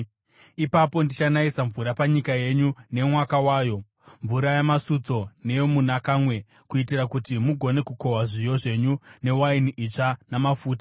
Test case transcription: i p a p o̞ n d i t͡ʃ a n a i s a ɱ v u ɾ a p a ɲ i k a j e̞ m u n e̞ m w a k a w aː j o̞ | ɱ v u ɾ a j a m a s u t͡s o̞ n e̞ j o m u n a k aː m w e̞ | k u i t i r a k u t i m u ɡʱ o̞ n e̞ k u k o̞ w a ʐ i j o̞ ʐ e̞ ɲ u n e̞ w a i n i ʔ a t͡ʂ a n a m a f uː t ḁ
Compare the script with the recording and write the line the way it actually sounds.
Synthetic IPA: i p a p o̞ n d i t͡ʃ a n a i s a ɱ v u ɾ a p a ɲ i k a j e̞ ɲ u n e̞ m w a k a w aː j o̞ | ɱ v u ɾ a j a m a s u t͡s o̞ n e̞ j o m u n a k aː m w e̞ | k u i t i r a k u t i m u ɡʱ o̞ n e̞ k u k o̞ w a ʐ i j o̞ ʐ e̞ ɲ u n e̞ w a i n i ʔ i t͡ʂ a n a m a f uː t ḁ